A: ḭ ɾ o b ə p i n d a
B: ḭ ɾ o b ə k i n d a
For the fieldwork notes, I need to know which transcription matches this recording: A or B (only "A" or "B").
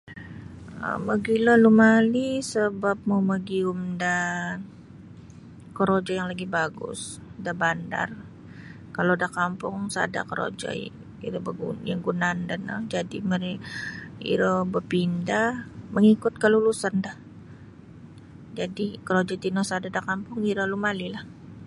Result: A